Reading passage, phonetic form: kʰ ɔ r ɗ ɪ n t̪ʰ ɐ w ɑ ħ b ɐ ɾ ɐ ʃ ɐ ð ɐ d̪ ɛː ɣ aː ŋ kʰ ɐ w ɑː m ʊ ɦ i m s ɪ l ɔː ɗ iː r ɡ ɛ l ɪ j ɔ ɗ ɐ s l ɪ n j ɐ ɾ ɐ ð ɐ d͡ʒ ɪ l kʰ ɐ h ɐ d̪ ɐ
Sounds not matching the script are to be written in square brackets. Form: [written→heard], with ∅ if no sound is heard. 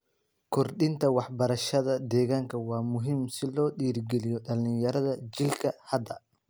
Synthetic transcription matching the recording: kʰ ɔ r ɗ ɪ n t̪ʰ ɐ w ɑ ħ b ɐ ɾ ɐ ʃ ɐ ð ɐ d̪ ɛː ɣ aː ŋ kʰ ɐ w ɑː m ʊ ɦ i m s ɪ l ɔː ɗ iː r ɡ ɛ l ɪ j ɔ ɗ ɐ [s→∅] l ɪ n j ɐ ɾ ɐ ð ɐ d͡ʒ ɪ l kʰ ɐ h ɐ d̪ ɐ

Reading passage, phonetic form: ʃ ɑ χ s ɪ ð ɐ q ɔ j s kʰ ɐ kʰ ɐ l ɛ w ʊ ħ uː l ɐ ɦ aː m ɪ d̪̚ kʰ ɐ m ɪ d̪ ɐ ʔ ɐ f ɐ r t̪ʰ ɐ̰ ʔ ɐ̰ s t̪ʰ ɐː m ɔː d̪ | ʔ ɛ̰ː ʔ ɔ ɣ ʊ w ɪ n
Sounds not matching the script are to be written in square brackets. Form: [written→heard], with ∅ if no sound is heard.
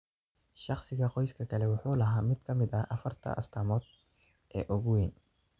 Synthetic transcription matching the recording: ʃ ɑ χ s ɪ [ð→ɣ] ɐ q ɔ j s kʰ ɐ kʰ ɐ l ɛ w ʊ ħ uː l ɐ ɦ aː m ɪ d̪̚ kʰ ɐ m ɪ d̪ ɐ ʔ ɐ f ɐ r t̪ʰ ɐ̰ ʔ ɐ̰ s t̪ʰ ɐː m ɔː d̪ | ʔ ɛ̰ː ʔ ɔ ɣ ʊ w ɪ n

